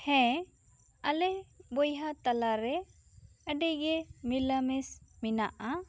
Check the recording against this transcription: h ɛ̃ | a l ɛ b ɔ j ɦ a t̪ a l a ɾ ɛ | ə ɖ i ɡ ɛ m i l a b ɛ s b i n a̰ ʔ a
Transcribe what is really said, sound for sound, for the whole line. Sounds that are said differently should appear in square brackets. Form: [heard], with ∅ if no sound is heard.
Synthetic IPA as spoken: h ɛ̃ | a l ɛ b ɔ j ɦ a t̪ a l a ɾ ɛ | ə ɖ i ɡ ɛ m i l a [m] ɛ s [m] i n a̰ ʔ a

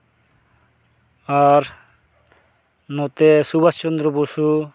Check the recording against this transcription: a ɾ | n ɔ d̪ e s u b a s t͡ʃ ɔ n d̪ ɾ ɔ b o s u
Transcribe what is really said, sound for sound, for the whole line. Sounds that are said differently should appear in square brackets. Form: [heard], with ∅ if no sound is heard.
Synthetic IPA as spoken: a ɾ | n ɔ [t̪] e s u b a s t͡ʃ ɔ n d̪ ɾ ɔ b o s u

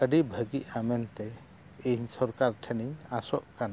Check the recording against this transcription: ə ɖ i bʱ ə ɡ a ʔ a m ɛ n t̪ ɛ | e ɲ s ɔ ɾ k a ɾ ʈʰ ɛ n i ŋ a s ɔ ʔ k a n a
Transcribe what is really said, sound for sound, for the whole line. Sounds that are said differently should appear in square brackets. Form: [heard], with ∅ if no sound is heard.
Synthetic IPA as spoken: ə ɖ i bʱ ə ɡ [i] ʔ a m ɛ n t̪ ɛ | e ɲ s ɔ ɾ k a ɾ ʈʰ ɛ n i [ɲ] a s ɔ ʔ k a n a

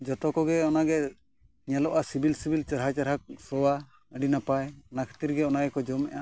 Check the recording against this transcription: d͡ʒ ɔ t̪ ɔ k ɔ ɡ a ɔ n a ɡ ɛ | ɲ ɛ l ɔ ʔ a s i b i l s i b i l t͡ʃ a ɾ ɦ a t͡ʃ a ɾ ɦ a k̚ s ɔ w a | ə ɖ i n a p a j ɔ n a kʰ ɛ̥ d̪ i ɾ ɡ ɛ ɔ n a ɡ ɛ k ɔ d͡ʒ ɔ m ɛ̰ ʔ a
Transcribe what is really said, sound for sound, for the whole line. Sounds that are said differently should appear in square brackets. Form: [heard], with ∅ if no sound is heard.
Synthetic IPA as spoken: d͡ʒ ɔ t̪ ɔ k ɔ ɡ [ɛ] ɔ n a ɡ ɛ | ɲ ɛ l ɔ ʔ a s i b i l s i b i l t͡ʃ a ɾ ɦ a t͡ʃ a ɾ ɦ a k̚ s ɔ w a | ə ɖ i n a p a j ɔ n a kʰ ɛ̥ [t̪] i ɾ ɡ ɛ ɔ n a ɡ ɛ k ɔ d͡ʒ ɔ m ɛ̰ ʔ a

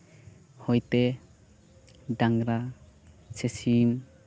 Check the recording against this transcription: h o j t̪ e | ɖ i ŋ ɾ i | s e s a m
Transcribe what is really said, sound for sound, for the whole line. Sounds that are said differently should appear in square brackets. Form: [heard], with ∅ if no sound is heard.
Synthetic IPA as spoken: h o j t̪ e | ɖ [a] ŋ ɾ [a] | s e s [i] m

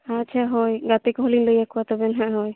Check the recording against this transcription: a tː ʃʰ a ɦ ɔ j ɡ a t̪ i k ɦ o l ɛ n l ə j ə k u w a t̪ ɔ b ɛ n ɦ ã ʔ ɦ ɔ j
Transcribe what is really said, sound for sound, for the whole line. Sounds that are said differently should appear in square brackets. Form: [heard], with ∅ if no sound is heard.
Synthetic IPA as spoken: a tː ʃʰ a ɦ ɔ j ɡ a t̪ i k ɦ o l [i] n l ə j [a] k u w a t̪ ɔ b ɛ n ɦ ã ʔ ɦ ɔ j

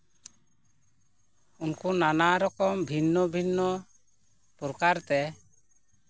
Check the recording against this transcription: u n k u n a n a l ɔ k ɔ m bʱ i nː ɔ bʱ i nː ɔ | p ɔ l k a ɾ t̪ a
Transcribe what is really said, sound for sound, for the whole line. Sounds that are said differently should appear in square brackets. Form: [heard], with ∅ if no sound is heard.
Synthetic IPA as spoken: u n k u n a n a [ɾ] ɔ k ɔ m bʱ i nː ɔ bʱ i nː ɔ | p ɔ [ɾ] k a ɾ t̪ [ɛ]

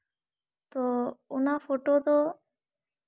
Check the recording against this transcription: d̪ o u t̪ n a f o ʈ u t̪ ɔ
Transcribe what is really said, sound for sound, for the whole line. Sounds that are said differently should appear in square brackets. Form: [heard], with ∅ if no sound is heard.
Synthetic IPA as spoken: [t̪] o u [∅] n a f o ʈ [o] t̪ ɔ

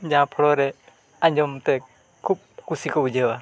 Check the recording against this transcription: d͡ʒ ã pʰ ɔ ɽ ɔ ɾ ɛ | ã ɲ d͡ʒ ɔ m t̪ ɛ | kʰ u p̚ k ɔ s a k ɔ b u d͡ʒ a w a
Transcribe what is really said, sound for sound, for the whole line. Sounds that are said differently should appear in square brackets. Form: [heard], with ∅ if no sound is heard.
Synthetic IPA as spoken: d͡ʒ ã pʰ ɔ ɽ ɔ ɾ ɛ | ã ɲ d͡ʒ ɔ m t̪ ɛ | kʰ u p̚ k [u] s [i] k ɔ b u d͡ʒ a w a

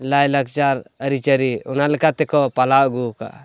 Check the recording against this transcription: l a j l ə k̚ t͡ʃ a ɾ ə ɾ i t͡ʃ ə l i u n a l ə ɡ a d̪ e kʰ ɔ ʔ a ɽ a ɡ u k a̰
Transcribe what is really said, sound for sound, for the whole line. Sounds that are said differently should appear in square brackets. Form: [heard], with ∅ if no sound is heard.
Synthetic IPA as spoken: l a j l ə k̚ t͡ʃ a ɾ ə ɾ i t͡ʃ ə [ɾ] i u n a l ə [k] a [t̪] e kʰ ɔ [p] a [l] a ɡ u k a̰

